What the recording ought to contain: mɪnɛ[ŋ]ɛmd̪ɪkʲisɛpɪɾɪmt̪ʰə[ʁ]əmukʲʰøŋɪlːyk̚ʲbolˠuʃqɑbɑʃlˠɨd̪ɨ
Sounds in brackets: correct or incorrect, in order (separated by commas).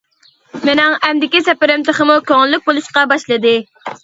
correct, incorrect